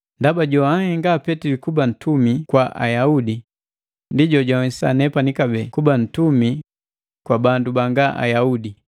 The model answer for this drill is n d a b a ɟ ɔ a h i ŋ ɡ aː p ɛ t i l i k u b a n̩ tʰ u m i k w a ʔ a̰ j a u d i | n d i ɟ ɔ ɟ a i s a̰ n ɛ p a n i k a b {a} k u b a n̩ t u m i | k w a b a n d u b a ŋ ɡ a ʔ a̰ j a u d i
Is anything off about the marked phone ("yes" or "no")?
yes